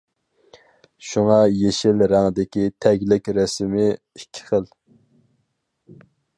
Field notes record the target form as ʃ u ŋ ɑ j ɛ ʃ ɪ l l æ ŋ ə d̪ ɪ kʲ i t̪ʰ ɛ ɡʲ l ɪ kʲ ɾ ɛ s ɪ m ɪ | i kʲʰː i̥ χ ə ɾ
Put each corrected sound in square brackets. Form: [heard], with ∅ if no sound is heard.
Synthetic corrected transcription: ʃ u ŋ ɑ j [e] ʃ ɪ l [ɾ] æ ŋ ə d̪ ɪ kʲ i t̪ʰ ɛ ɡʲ l ɪ kʲ ɾ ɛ s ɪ m ɪ | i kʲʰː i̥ χ ə [l]